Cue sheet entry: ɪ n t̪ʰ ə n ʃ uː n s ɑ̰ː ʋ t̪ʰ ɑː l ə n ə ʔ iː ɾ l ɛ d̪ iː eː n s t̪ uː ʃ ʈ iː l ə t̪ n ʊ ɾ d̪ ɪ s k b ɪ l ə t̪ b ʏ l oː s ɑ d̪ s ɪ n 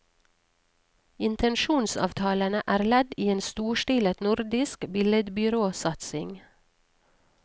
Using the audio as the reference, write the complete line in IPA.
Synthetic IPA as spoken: ɪ n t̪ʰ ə n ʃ uː n s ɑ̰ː ʋ t̪ʰ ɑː l ə n ə ʔ æː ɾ l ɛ d̪ iː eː n s t̪ uː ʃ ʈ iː l ə t̪ n ʊ ɾ d̪ ɪ s k b ɪ l ə d̪ b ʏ ɾ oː s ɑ t̪ s ɪ ŋ

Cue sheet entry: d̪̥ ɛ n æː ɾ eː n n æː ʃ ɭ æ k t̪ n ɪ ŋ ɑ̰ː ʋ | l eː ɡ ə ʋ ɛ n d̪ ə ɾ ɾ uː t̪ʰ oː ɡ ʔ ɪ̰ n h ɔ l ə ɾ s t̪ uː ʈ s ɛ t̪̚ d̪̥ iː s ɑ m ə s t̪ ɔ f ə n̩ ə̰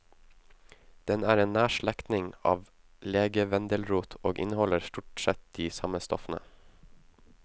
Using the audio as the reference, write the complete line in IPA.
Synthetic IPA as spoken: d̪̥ ɛ n æː ɾ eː n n æː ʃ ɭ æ k t̪ n ɪ ŋ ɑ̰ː ʋ | l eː ɡ ə ʋ ɛ n d̪ ə l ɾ uː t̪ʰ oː ɡ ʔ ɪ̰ n h ɔ l ə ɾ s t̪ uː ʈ s ɛ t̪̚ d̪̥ iː s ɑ m ə s t̪ ɔ f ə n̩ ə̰

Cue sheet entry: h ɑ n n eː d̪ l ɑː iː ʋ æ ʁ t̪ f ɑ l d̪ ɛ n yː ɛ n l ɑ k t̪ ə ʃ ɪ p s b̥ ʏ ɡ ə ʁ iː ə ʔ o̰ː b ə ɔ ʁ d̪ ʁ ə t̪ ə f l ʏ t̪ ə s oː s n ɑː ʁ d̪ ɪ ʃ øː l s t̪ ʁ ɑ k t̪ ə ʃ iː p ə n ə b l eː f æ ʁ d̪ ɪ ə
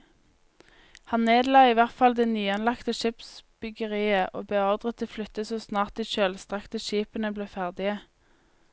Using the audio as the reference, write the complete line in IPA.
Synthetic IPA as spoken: h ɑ n n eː d̪ l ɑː iː ʋ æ ʁ t̪ f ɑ l d̪ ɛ n yː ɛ n l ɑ k t̪ ə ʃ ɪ p s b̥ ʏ ɡ ə ʁ iː ə ʔ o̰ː b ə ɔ ʁ d̪ ʁ ə t̪ ə f l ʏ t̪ ə s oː s n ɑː ʁ t̪ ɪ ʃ øː l s t̪ ʁ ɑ k t̪ ə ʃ iː p ə n ə b l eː f æ ʁ d̪ ɪ ə

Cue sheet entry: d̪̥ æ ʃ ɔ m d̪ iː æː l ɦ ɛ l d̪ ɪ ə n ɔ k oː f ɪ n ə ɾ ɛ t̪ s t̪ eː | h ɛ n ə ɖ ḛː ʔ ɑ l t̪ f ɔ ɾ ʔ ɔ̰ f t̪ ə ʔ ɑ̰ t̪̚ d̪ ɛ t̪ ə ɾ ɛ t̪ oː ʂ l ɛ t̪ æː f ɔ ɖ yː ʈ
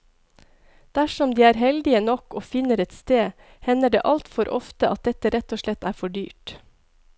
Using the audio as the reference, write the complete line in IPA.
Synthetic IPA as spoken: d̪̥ æ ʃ ɔ m d̪ iː æː ɾ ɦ ɛ l d̪ ɪ ə n ɔ k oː f ɪ n ə ɾ ɛ t̪ s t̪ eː | h ɛ n ə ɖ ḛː ʔ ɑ l t̪ f ɔ ɾ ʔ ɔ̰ f t̪ ə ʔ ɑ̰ t̪̚ d̪ ɛ t̪ ə ɾ ɛ t̪ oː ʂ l ɛ t̪ æː f ɔ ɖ yː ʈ

